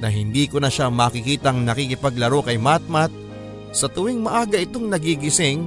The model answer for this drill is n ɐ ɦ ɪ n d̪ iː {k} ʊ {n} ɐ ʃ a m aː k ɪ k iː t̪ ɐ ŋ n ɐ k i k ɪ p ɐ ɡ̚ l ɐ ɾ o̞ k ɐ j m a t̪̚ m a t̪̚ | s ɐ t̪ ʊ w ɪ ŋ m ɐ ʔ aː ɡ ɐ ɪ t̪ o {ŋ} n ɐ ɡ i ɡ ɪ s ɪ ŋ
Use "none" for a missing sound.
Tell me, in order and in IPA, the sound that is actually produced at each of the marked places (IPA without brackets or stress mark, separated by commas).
k, n, ŋ